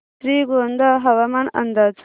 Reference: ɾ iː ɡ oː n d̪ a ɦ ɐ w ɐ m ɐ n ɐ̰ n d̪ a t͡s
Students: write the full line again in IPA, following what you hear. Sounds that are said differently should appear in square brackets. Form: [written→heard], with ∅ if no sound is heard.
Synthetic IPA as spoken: ɾ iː ɡ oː n d̪ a ɦ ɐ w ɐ m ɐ n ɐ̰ n d̪ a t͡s

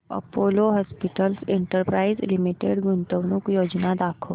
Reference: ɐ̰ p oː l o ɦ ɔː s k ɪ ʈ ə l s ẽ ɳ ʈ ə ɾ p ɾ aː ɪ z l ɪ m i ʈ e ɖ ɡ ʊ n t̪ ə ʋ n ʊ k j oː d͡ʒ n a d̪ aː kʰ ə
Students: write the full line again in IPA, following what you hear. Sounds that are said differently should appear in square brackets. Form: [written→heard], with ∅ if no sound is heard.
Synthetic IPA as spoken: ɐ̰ p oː l o ɦ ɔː s [k→p] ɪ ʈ ə l s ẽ ɳ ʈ ə ɾ p ɾ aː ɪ z l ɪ m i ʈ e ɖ ɡ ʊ n t̪ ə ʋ n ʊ k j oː d͡ʒ n a d̪ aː kʰ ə

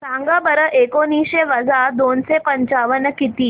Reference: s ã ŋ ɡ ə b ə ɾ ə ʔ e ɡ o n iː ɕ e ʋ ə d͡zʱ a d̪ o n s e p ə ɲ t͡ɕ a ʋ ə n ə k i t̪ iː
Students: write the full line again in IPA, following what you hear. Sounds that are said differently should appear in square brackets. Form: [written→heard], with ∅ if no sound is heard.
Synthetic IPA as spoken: s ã ŋ ɡ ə b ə ɾ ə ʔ e [ɡ→k] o n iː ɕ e ʋ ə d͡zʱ a d̪ o n s e p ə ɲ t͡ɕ a ʋ ə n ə k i t̪ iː

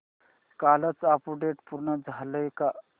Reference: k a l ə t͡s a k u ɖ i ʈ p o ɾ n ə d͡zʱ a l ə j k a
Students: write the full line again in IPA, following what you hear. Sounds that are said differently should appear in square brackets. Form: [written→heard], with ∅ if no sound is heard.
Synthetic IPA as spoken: k a l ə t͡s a [k→p] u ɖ [i→e] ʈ p [o→u] ɾ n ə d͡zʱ a l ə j k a

